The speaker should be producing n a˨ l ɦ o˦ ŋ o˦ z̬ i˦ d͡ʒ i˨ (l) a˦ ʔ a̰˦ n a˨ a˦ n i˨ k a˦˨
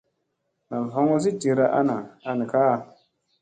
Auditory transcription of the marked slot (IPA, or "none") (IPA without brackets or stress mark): ɾ